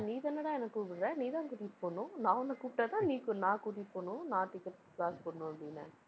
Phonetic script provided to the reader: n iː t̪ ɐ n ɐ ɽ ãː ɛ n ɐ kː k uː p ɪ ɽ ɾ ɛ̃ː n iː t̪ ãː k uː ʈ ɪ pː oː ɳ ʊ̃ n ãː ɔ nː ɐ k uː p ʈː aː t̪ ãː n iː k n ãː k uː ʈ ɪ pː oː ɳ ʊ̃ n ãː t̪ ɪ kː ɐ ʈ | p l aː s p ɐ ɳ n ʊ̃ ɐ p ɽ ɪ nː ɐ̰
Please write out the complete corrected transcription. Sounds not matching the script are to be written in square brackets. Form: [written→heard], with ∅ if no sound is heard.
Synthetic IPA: n iː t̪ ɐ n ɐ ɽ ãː ɛ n ɐ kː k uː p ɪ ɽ ɾ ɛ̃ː n iː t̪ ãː k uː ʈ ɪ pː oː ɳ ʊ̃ n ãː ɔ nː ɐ k uː p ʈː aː t̪ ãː n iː k n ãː k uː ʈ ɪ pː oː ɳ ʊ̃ n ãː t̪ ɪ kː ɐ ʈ | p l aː s p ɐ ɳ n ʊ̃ ɐ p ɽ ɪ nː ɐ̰